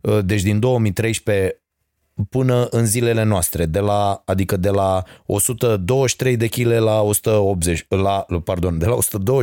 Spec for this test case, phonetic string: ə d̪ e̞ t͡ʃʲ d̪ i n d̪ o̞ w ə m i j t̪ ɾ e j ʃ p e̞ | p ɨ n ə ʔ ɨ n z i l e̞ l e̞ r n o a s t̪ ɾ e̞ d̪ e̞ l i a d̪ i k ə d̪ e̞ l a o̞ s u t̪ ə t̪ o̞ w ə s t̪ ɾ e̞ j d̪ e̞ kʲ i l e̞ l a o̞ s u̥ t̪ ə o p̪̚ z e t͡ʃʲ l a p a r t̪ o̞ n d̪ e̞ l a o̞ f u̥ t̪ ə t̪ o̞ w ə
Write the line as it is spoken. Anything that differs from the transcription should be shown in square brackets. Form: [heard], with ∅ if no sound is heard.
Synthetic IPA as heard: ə d̪ e̞ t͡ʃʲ d̪ i n d̪ o̞ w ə m i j t̪ ɾ e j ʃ p e̞ | p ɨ n ə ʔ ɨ n z i l e̞ l e̞ [∅] n o a s t̪ ɾ e̞ d̪ e̞ l [a] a d̪ i k ə d̪ e̞ l a o̞ s u t̪ ə [d̪] o̞ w ə [ʃ] t̪ ɾ e̞ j d̪ e̞ kʲ i l e̞ l a o̞ s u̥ t̪ ə o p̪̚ z e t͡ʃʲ l a p a r [d̪] o̞ n d̪ e̞ l a o̞ [s] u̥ t̪ ə [d̪] o̞ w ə